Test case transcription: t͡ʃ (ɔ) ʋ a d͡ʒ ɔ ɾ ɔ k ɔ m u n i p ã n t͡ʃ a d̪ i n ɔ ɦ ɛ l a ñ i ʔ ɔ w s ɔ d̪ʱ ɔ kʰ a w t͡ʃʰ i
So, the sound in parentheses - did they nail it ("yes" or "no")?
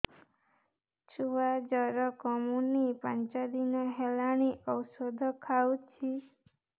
no